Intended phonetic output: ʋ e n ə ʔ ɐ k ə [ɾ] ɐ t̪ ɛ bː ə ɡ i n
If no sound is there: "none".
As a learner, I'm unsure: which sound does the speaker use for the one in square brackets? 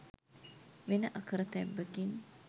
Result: ɾ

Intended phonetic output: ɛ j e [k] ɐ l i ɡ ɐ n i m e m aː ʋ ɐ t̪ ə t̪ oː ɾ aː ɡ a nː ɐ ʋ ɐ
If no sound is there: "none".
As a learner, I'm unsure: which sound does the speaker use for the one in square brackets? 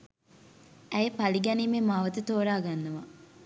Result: p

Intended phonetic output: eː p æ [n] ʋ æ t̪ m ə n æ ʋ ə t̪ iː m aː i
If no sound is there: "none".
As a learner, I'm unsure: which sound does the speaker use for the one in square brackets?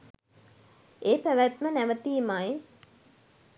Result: none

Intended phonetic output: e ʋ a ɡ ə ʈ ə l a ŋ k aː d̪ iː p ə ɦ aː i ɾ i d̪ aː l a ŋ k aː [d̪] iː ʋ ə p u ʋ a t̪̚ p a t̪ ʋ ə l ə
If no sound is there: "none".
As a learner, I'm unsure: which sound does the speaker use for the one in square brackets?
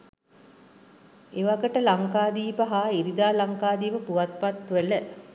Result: d̪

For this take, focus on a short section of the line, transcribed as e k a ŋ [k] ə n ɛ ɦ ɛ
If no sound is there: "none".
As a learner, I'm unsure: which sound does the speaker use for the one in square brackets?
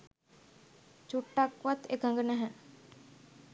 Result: ɡ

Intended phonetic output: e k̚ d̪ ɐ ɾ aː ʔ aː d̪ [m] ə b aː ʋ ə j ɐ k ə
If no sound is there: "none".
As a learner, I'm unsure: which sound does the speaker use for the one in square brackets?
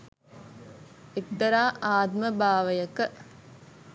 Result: m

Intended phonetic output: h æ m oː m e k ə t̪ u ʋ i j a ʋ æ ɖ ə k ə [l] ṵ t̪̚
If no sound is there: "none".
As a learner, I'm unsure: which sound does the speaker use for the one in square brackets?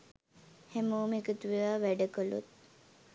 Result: l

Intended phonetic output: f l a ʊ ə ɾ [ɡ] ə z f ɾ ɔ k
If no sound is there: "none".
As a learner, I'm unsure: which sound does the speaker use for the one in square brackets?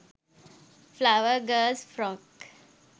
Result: ɡ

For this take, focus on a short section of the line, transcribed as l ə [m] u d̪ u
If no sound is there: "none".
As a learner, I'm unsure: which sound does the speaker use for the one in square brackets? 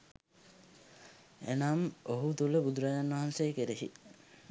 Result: b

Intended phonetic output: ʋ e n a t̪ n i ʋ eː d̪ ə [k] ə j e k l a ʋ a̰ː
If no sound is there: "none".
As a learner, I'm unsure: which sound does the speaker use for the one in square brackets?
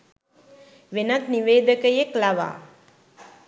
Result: k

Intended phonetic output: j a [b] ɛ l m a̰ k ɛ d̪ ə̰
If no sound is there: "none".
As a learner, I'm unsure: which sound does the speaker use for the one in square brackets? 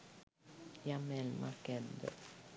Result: m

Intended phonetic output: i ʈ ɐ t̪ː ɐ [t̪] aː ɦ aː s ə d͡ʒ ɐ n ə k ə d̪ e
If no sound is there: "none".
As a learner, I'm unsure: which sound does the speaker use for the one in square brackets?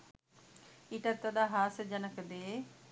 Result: d̪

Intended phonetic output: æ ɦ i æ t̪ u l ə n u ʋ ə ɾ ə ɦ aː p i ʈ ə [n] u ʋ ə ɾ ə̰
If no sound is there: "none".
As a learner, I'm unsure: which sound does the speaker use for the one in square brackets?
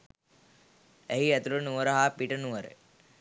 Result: n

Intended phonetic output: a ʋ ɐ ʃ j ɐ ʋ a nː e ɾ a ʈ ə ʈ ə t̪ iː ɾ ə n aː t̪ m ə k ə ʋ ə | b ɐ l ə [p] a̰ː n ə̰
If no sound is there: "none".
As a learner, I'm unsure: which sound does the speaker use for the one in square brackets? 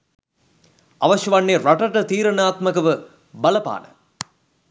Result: p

